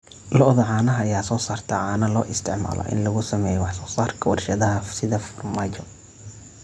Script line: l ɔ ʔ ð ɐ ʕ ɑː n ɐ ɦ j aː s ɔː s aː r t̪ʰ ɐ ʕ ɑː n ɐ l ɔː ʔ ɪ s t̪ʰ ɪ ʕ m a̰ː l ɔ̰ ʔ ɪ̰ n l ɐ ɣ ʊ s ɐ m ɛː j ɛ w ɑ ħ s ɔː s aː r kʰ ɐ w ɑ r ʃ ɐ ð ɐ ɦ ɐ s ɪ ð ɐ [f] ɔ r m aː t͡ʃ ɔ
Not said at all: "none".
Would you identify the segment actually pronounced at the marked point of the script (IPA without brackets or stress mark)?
f